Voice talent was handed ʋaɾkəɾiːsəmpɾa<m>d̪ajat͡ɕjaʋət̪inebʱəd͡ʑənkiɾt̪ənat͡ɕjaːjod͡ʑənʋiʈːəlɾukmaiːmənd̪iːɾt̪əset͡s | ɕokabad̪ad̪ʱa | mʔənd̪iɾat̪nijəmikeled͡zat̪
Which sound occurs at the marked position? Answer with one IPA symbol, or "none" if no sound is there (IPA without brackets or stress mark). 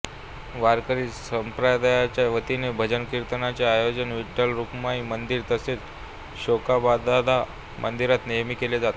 none